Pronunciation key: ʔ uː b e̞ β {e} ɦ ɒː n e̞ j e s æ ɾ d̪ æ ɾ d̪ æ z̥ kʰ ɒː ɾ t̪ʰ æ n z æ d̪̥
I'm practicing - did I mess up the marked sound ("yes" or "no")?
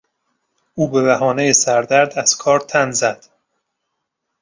yes